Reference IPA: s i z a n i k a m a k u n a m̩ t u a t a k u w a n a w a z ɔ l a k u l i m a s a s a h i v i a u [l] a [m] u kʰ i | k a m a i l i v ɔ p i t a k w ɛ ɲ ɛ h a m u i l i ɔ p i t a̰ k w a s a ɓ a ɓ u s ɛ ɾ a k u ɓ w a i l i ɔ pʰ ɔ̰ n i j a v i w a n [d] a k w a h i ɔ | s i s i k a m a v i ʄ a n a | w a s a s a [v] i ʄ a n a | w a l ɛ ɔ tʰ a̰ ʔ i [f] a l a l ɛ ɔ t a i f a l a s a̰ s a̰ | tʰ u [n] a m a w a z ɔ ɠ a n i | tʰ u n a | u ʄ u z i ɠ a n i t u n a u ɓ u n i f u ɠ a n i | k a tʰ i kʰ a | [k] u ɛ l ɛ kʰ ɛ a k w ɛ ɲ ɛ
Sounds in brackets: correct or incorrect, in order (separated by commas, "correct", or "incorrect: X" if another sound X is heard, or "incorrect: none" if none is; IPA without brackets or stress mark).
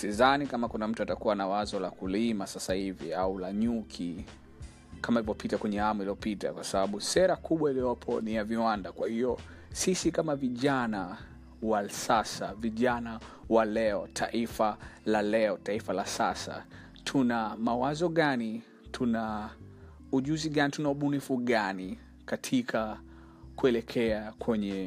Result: correct, incorrect: ɲ, correct, correct, correct, correct, correct